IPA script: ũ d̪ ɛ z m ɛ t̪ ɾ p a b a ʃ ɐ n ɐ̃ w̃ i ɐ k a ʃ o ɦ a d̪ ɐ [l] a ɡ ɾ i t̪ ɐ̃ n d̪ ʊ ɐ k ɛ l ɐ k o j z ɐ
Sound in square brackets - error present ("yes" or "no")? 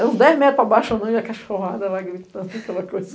no